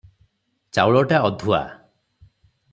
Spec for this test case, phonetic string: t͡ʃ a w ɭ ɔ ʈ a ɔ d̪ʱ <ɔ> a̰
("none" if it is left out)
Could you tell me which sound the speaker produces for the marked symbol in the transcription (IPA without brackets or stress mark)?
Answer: u